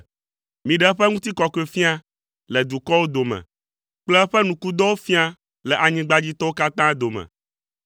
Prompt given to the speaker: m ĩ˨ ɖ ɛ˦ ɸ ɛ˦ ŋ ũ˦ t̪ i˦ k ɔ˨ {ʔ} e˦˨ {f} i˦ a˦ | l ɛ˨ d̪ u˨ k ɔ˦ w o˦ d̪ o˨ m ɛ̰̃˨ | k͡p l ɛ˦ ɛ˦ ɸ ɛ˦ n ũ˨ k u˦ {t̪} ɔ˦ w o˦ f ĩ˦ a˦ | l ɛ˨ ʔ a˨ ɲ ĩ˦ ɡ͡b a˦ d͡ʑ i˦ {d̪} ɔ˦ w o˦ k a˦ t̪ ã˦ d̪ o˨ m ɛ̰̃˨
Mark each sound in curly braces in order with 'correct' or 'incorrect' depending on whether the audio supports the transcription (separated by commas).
incorrect, correct, incorrect, incorrect